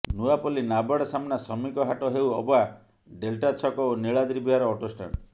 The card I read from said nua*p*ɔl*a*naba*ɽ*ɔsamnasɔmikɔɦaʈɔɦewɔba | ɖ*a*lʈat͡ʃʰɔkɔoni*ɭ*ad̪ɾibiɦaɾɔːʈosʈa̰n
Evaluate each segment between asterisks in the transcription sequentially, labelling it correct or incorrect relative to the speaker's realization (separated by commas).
correct, incorrect, correct, incorrect, correct